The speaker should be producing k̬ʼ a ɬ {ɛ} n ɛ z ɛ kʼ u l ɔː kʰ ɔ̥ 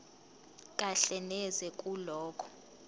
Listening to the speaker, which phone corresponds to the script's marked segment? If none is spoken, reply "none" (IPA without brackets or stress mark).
ɛ